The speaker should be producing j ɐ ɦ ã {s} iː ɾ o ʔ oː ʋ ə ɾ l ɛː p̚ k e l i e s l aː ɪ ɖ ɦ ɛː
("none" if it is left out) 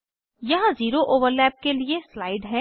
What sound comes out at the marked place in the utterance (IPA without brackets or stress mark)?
z